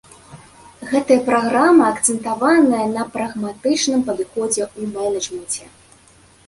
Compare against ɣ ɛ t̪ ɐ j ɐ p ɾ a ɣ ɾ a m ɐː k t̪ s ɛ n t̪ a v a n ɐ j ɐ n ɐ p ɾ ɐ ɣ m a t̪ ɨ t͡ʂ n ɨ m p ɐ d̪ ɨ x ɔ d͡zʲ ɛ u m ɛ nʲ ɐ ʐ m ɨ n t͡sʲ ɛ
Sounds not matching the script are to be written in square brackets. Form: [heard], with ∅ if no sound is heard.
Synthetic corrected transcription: ɣ ɛ t̪ ɐ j ɐ p ɾ a ɣ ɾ a m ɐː k t̪ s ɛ n t̪ a v a n ɐ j ɐ n ɐ p ɾ ɐ ɣ m a t̪ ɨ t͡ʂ n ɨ m p ɐ d̪ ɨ x ɔ d͡zʲ ɛ u m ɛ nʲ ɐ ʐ m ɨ n t͡sʲ ɛ